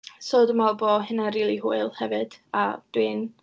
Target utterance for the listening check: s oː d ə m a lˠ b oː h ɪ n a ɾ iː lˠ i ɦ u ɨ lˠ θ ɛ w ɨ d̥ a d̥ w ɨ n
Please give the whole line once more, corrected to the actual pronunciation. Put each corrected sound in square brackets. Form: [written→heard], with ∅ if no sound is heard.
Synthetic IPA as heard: s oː d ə m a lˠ b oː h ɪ n a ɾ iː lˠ i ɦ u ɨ lˠ [θ→h] ɛ [w→v] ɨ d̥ a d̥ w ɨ n